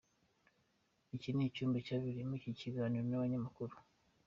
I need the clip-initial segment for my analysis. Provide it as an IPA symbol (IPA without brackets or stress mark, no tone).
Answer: i